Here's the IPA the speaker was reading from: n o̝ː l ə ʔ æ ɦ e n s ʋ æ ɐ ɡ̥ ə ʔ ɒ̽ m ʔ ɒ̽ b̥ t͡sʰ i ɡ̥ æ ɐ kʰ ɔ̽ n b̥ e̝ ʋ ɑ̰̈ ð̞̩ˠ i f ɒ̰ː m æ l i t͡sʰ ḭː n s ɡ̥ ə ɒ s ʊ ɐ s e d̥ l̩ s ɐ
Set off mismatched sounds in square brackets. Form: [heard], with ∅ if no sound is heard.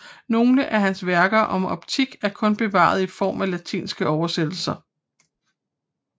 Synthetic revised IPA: n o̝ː l ə ʔ æ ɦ [æ] n s ʋ æ ɐ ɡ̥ [ɐ] ʔ ɒ̽ m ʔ ɒ̽ b̥ t͡sʰ i ɡ̥ æ ɐ kʰ ɔ̽ n b̥ e̝ ʋ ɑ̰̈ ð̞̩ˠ i f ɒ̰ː m æ l [æ] t͡sʰ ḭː n s ɡ̥ ə ɒ [∅] ʊ ɐ s e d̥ l̩ s ɐ